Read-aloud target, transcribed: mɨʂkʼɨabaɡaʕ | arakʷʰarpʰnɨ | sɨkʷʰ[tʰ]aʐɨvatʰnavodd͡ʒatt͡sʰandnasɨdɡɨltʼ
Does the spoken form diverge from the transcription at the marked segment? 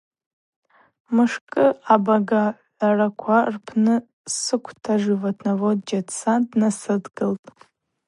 no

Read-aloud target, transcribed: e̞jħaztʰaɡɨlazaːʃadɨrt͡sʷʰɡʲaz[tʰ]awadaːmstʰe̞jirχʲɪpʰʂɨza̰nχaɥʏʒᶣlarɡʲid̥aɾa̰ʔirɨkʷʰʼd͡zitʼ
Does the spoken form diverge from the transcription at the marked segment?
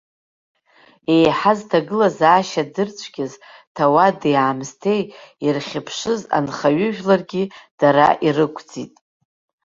no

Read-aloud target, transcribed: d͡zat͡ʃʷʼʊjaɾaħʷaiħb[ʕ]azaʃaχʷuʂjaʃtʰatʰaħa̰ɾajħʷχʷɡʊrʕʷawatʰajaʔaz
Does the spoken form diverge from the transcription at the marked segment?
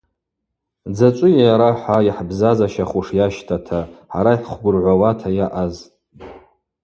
yes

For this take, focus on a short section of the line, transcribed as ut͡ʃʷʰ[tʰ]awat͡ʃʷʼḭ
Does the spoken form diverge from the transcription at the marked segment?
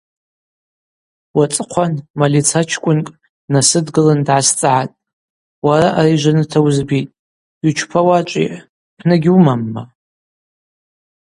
yes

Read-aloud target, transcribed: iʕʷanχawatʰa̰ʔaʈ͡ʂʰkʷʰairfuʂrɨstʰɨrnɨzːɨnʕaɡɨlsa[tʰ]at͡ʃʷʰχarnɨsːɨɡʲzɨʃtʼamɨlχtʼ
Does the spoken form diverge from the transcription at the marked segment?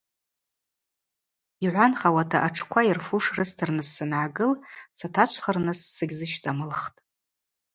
no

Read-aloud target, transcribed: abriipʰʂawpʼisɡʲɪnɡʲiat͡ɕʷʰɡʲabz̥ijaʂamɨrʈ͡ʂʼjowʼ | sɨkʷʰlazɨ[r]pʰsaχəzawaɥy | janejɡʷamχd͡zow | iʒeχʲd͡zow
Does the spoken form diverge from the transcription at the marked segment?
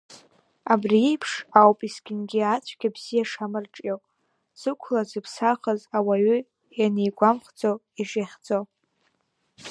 yes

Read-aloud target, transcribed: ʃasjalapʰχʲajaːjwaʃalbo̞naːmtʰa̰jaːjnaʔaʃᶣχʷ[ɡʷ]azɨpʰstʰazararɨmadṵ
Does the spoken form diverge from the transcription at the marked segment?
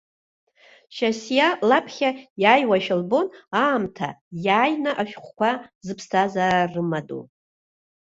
yes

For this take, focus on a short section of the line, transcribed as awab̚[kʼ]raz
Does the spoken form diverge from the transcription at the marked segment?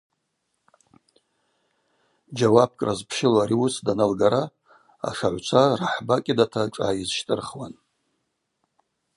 no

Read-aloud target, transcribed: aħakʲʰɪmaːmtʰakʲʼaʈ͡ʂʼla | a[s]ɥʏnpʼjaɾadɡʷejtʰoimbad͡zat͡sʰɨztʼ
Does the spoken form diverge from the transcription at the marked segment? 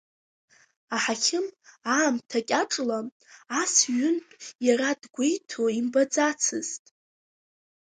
no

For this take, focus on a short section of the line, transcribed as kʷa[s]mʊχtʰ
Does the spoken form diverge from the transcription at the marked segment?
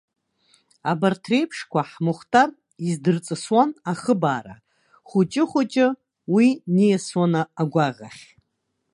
yes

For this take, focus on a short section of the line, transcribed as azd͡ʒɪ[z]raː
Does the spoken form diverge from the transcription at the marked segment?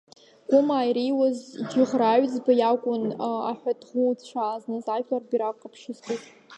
yes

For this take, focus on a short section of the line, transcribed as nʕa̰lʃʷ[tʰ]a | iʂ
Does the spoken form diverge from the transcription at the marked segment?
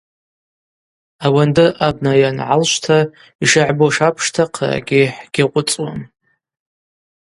no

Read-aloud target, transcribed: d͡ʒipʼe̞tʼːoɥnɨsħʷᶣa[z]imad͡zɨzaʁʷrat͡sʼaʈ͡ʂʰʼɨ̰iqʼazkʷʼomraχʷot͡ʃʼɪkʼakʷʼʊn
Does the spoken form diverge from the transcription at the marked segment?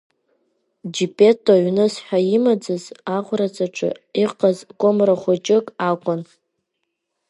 yes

